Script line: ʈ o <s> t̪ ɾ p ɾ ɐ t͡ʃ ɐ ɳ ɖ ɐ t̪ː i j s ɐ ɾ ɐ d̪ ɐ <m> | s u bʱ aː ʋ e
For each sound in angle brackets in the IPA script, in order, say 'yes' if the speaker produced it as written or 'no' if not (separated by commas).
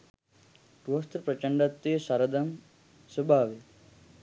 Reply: yes, yes